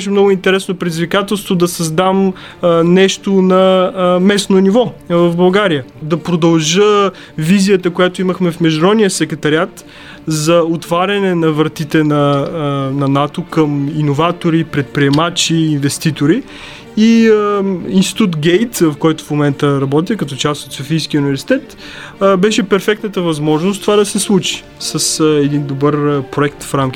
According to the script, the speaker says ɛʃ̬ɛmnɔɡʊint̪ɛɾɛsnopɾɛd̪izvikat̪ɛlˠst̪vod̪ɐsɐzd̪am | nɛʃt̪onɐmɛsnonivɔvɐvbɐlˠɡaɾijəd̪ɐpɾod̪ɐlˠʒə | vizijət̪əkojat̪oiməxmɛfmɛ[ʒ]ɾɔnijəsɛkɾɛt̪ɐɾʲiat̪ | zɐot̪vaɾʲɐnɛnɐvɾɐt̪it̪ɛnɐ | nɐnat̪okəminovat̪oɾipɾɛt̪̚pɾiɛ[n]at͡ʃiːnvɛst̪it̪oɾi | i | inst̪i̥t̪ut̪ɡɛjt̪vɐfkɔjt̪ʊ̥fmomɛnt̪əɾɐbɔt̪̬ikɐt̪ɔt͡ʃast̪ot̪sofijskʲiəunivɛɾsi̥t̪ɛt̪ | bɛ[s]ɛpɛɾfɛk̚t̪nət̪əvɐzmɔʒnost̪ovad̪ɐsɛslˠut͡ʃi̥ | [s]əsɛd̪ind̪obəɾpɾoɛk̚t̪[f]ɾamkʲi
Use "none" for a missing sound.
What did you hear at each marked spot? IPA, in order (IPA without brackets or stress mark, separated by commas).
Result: ʒ, m, ʃ, s, f